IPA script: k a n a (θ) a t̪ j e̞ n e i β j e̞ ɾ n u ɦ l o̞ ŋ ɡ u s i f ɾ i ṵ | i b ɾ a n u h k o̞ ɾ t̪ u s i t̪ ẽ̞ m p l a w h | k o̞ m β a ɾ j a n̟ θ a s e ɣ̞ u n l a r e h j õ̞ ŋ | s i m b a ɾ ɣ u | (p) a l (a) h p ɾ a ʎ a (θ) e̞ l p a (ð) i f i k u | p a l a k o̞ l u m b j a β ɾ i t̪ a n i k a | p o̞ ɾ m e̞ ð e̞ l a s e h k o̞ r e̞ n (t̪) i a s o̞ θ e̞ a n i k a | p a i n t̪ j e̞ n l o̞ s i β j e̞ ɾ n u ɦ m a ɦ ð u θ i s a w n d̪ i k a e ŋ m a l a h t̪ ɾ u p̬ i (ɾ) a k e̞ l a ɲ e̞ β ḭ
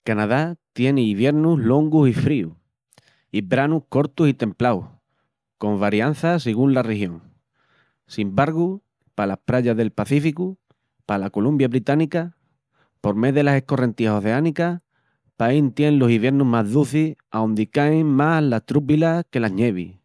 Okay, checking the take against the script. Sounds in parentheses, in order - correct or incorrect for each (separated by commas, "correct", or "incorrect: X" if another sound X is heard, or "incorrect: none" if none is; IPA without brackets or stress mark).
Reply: incorrect: ð, correct, correct, incorrect: ð, incorrect: θ, correct, incorrect: l